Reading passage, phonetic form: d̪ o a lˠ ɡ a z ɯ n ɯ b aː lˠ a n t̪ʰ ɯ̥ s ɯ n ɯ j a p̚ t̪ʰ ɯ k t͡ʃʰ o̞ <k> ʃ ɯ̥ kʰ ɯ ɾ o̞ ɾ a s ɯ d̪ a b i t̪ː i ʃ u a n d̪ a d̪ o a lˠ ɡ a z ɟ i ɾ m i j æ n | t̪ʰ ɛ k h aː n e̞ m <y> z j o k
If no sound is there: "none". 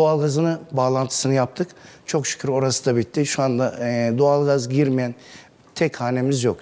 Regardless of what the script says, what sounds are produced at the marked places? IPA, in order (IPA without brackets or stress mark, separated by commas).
k, i